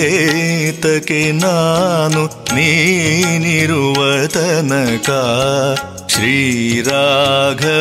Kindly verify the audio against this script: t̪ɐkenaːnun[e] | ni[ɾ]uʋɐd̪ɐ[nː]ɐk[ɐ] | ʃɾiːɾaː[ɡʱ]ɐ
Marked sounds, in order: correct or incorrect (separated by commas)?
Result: incorrect, correct, incorrect, incorrect, correct